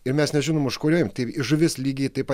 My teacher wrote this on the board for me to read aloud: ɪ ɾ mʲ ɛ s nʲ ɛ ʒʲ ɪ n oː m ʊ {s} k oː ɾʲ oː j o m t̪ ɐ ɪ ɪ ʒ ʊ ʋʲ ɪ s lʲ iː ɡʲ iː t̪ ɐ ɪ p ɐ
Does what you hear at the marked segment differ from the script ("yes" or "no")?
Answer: yes